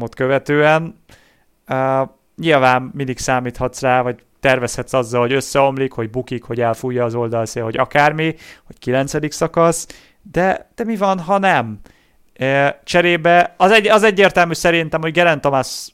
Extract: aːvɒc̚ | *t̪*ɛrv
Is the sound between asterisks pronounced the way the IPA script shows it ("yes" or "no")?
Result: yes